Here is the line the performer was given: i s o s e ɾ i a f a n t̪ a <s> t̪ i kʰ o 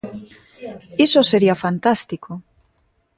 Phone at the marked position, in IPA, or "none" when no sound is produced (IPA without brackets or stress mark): s